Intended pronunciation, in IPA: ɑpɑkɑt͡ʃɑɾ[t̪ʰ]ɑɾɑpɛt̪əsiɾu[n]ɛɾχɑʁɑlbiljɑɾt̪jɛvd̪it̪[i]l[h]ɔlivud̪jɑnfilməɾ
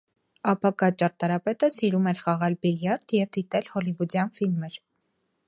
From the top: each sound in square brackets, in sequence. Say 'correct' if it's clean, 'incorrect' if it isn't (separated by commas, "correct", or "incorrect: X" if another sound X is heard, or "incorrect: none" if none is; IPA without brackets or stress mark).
incorrect: t̪, incorrect: m, incorrect: ɛ, correct